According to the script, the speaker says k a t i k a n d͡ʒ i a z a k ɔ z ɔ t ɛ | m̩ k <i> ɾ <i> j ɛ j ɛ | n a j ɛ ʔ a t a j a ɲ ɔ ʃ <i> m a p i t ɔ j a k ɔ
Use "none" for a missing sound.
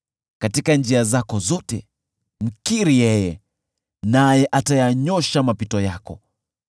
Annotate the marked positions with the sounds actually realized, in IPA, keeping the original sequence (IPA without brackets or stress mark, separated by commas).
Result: i, i, a